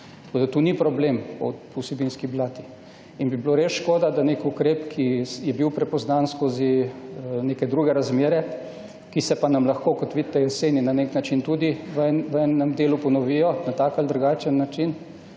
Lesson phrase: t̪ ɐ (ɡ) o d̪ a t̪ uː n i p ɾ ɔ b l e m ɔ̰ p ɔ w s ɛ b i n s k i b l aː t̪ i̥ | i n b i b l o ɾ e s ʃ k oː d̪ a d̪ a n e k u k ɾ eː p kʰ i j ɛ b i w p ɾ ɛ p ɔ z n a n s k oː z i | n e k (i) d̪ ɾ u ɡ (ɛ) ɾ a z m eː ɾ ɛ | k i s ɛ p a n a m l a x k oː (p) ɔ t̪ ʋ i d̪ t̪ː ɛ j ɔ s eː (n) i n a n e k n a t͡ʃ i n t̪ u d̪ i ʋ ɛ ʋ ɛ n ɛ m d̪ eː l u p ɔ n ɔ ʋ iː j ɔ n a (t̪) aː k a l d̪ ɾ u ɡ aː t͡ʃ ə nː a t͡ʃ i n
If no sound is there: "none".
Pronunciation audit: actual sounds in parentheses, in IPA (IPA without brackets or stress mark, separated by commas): k, ɛ, ɛ, k, n, t̪